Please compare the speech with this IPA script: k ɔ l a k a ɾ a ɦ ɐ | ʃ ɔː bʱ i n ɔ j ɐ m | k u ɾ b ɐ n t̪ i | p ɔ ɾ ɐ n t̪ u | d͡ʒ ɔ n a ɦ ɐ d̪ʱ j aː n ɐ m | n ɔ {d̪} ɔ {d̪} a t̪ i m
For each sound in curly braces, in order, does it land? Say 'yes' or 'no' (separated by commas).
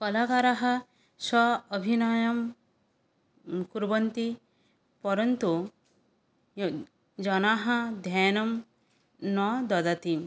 yes, yes